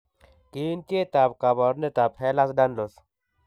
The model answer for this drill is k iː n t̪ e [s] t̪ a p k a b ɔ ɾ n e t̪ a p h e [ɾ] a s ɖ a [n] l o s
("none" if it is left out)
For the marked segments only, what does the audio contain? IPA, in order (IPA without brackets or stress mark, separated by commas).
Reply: none, l, n